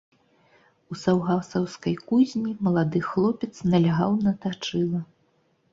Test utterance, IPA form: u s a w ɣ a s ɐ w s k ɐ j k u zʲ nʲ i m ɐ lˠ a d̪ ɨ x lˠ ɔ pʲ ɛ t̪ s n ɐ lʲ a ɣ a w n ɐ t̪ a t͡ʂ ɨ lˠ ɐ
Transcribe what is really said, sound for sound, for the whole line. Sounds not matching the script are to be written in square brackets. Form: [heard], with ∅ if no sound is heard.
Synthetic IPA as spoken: u s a w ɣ a s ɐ w s k ɐ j k u zʲ nʲ i m ɐ lˠ a d̪ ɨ x lˠ ɔ pʲ ɛ t̪ s n ɐ lʲ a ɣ a w n ɐ t̪ a t͡ʂ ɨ lˠ ɐ